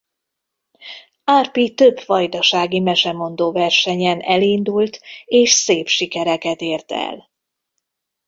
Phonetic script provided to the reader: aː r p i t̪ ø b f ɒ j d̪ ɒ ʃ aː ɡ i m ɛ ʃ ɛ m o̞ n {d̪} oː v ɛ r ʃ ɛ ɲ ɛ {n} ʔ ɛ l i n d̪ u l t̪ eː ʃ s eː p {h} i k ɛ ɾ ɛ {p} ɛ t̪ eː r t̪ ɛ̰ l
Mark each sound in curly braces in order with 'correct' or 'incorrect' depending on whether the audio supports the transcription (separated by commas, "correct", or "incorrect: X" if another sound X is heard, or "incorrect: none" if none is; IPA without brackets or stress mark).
correct, correct, incorrect: ʃ, incorrect: k